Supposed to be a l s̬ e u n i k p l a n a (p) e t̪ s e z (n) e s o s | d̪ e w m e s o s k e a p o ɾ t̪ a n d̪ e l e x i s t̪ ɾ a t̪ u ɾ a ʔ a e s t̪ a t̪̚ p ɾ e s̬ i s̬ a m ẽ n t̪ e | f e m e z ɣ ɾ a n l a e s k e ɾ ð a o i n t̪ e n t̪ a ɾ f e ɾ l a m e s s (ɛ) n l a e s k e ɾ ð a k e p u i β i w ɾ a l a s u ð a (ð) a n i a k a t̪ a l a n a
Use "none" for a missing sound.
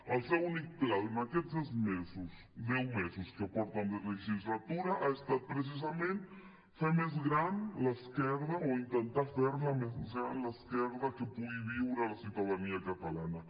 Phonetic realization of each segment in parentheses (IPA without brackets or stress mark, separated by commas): k, m, a, ð